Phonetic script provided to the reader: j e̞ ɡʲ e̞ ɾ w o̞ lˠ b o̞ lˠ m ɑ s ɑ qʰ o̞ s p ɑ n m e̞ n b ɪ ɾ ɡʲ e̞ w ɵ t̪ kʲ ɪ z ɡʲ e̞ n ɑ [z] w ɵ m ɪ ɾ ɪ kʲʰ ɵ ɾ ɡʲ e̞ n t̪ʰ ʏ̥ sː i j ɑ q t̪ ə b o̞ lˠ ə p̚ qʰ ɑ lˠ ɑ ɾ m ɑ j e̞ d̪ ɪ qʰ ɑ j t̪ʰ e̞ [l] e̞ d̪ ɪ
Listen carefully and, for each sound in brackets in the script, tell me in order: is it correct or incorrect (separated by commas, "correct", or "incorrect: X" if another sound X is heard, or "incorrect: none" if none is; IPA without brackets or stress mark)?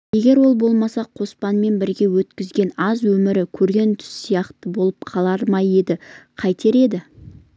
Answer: correct, incorrect: ɾ